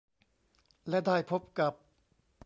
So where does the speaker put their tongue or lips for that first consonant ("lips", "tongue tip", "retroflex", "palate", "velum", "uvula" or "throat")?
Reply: tongue tip